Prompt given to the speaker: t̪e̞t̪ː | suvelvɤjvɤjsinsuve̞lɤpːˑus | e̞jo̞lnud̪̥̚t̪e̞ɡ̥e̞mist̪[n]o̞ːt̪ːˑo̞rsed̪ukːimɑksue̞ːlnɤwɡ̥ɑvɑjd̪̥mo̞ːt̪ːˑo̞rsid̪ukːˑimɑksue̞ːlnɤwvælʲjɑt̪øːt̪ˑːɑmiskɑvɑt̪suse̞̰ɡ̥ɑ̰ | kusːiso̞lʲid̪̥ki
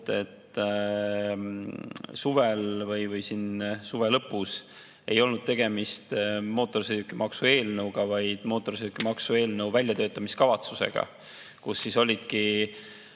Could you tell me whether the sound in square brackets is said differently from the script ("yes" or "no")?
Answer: yes